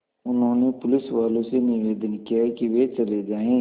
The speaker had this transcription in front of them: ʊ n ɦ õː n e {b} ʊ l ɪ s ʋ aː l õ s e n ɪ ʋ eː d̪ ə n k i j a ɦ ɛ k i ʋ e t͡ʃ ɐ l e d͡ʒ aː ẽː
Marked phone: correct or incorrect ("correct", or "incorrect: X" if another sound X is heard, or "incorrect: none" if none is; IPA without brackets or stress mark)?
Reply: incorrect: p